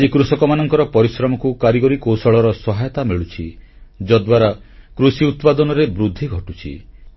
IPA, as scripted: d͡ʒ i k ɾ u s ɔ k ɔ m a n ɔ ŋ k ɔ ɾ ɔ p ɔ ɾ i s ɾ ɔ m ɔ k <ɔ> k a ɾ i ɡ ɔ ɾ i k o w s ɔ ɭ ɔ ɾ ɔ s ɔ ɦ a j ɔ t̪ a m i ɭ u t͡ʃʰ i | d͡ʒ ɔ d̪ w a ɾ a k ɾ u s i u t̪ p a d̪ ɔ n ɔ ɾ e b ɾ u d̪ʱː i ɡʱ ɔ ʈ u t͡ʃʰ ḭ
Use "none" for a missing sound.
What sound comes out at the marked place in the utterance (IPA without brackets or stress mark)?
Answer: u